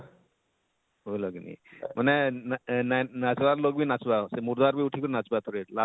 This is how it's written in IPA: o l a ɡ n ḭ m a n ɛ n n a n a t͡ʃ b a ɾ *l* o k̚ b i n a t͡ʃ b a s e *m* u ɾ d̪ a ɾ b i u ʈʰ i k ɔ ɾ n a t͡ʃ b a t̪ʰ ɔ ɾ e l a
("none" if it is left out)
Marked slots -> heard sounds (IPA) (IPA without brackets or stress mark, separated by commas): l, m